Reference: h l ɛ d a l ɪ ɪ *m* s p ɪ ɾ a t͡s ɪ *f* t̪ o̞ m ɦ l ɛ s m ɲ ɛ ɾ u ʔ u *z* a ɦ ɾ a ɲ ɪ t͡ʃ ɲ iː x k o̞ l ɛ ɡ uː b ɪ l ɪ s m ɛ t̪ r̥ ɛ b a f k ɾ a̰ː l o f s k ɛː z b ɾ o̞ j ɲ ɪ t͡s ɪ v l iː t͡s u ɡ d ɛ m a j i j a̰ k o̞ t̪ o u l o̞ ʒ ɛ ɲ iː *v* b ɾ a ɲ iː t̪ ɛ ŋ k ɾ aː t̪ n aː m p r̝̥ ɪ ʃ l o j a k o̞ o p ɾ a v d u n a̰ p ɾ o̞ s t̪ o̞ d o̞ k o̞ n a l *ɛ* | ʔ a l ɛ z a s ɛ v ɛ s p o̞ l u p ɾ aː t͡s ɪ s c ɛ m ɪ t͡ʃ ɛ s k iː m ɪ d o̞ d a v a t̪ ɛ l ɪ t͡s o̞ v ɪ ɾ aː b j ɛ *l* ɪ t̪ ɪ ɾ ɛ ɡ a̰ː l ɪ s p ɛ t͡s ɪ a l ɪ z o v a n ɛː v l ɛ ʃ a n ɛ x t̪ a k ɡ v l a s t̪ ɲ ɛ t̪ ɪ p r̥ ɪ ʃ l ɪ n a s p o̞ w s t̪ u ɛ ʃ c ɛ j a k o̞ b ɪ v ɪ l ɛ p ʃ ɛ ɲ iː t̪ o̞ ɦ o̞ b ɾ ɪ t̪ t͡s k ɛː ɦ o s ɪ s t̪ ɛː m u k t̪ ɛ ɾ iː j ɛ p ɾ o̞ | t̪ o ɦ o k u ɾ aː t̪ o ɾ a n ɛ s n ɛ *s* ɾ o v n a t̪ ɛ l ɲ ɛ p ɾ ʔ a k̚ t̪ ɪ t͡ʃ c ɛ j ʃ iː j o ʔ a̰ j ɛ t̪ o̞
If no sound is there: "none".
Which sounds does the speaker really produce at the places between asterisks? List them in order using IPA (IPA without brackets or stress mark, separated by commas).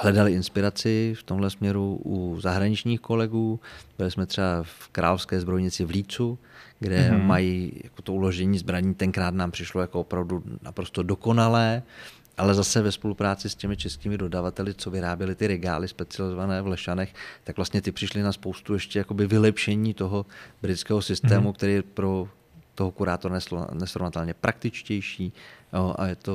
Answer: n, f, z, z, ɛː, l, s